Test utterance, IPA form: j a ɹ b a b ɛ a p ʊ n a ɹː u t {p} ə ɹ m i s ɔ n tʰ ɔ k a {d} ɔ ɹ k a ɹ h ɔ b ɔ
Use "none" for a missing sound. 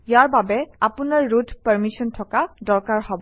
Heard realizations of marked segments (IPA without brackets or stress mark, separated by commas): p, d